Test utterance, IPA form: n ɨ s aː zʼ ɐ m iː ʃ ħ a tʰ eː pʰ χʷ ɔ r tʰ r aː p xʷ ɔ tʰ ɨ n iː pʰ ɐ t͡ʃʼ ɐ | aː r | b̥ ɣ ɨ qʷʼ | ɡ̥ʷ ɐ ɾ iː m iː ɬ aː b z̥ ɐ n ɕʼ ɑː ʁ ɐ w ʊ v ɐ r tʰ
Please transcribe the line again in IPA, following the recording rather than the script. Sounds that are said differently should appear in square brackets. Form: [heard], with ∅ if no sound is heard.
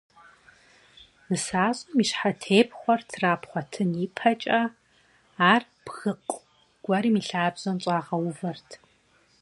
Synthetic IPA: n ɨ s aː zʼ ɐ m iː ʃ ħ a tʰ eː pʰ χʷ ɔ r tʰ r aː p [χʷ] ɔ tʰ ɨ n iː pʰ ɐ t͡ʃʼ ɐ | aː r | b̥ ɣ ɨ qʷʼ | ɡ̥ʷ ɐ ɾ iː m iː ɬ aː b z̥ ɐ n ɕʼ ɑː ʁ ɐ w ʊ v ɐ r tʰ